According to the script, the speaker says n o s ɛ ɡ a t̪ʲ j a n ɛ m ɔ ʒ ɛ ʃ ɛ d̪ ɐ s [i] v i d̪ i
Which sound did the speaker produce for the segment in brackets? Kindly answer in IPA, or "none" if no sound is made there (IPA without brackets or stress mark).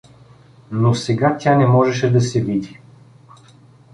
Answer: ɛ